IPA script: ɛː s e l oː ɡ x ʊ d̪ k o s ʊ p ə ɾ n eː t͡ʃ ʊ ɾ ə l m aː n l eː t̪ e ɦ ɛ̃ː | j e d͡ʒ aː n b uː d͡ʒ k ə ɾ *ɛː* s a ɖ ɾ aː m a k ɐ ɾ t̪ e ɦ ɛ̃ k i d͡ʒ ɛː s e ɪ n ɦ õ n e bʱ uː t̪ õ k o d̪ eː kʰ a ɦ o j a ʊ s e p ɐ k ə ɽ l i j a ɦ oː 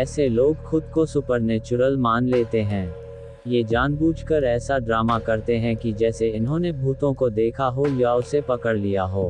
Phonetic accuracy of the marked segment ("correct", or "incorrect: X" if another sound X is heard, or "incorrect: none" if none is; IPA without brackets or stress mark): correct